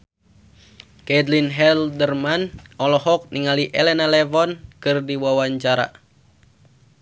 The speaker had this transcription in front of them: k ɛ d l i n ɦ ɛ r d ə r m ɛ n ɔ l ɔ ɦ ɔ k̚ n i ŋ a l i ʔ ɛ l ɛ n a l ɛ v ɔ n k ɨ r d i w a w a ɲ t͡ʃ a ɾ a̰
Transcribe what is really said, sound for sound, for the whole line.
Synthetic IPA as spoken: k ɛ d l i n ɦ ɛ l d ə r m a n ɔ l ɔ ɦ ɔ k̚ n i ŋ a l i ʔ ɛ l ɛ n a l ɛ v ɔ n k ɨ r d i w a w a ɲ t͡ʃ a ɾ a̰